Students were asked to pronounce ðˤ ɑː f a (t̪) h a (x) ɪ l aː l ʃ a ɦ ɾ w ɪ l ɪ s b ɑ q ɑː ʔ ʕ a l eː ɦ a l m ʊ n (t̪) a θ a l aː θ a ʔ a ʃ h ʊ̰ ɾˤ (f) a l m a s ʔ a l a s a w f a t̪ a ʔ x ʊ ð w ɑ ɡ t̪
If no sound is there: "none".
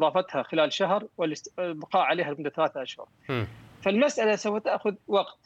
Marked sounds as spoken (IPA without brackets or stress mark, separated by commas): t̪, x, d̪, f